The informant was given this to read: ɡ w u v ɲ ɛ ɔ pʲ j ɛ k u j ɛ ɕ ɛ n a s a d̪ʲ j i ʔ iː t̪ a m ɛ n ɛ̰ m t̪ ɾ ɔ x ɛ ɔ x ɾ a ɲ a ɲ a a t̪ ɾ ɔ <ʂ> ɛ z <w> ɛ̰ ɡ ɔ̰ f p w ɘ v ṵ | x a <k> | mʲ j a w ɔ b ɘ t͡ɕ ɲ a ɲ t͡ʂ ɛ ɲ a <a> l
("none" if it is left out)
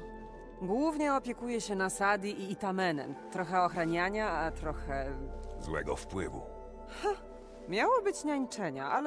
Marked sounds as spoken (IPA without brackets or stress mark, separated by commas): x, w, none, a